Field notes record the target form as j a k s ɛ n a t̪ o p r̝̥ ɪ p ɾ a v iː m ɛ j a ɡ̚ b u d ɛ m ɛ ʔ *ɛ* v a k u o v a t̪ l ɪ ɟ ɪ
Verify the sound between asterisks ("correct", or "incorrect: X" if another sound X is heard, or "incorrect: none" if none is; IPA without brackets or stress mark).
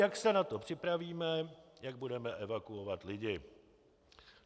correct